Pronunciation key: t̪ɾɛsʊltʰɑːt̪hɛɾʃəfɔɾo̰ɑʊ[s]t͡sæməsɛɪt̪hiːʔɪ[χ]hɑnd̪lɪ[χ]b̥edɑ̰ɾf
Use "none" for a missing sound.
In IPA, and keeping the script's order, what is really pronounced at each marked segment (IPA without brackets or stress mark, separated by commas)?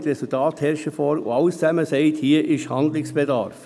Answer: s, ʃ, s